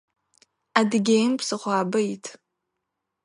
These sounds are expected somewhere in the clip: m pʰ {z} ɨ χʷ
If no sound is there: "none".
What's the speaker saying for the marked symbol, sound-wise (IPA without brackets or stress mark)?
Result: s